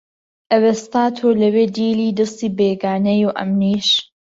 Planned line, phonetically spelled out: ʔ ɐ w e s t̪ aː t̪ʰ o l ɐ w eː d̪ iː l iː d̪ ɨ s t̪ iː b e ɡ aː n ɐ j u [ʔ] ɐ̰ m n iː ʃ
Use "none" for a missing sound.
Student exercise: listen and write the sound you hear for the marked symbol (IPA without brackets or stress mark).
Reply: ʔ